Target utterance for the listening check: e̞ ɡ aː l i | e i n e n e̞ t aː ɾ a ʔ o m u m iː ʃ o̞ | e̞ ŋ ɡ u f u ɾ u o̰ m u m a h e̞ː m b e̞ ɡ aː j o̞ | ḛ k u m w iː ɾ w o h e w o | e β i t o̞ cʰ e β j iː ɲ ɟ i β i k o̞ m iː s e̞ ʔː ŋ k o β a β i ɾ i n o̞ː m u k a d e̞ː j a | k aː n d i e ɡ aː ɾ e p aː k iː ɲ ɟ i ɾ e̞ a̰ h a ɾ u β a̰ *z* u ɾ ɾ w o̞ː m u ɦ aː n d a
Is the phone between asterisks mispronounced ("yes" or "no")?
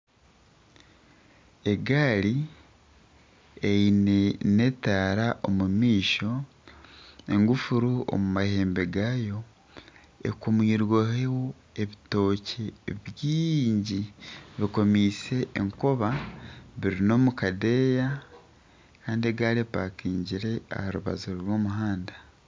no